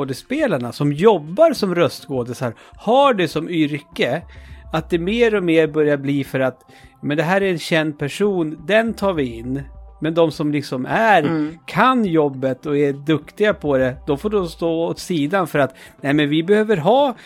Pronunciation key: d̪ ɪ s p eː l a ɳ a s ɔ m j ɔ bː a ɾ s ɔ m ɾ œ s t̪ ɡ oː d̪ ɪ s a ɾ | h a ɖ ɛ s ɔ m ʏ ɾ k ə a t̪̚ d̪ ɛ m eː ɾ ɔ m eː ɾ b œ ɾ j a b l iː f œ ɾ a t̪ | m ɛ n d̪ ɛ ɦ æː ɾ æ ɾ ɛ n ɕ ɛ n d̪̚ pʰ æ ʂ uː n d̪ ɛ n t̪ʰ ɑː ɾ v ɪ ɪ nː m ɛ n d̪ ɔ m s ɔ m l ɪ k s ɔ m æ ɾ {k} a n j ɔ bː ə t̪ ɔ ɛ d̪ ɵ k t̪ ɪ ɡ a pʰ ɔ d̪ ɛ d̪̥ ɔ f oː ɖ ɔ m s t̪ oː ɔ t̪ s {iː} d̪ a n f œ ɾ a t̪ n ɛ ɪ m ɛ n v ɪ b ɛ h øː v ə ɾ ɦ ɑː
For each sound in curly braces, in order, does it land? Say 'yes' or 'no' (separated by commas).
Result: no, yes